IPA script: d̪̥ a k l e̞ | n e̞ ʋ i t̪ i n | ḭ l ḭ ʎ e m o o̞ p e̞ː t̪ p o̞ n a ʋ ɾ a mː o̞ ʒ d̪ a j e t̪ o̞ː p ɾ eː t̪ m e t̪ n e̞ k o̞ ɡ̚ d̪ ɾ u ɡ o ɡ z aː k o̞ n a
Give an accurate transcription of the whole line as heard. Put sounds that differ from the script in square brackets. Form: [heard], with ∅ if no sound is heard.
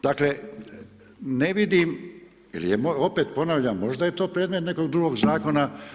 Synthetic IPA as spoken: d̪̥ a k l e̞ | n e̞ ʋ i [d̪] i [m] | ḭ l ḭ [j] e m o o̞ p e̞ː t̪ p o̞ n a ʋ [ʎ] a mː o̞ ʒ d̪ a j e t̪ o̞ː p ɾ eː [d̪] m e t̪ n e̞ k o̞ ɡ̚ d̪ ɾ u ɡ o ɡ z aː k o̞ n a